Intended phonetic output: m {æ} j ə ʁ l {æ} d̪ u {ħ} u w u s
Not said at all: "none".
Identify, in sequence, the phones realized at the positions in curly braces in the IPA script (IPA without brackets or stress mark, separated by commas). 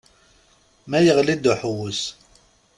æ, i, ħ